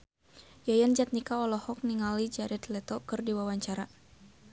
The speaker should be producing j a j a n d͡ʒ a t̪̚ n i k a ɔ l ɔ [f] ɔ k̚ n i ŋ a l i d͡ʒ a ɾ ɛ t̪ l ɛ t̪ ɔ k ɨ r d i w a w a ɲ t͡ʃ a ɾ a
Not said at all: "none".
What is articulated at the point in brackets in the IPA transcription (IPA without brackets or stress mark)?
h